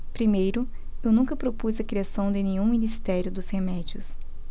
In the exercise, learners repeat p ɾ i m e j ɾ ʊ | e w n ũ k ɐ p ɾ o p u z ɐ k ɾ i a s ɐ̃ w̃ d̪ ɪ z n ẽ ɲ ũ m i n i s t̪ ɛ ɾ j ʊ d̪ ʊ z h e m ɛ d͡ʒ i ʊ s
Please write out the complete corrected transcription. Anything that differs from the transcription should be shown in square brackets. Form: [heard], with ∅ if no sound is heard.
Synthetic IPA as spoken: p ɾ i m e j ɾ ʊ | e w n ũ k ɐ p ɾ o p u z ɐ k ɾ i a s ɐ̃ w̃ d̪ ɪ [∅] n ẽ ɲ ũ m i n i s t̪ ɛ ɾ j ʊ d̪ ʊ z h e m ɛ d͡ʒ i ʊ s